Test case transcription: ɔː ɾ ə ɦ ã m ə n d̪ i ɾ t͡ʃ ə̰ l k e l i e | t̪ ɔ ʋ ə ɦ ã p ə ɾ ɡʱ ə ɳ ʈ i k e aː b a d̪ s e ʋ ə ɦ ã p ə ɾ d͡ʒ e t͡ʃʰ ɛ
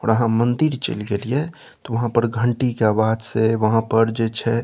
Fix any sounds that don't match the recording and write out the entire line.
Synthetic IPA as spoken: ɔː ɾ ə ɦ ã m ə n d̪ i ɾ t͡ʃ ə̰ l ɡ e l i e | t̪ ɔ ʋ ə ɦ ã p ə ɾ ɡʱ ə ɳ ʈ i k e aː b a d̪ s e ʋ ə ɦ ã p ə ɾ d͡ʒ e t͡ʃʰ ɛ